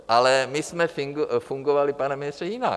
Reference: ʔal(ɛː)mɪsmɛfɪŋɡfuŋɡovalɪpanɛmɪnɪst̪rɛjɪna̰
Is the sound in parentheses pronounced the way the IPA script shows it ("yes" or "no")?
no